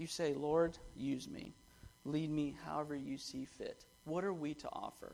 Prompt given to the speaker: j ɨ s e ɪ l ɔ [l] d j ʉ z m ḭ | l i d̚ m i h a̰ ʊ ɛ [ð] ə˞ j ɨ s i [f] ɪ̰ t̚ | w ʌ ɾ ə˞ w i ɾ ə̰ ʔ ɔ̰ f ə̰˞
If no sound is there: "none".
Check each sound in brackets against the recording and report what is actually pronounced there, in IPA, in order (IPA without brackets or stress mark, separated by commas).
ɹ, v, f